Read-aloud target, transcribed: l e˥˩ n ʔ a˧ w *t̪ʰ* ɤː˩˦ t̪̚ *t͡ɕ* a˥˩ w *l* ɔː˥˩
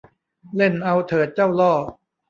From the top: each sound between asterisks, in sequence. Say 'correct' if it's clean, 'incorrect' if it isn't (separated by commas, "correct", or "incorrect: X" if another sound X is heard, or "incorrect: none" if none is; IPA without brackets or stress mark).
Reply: correct, correct, correct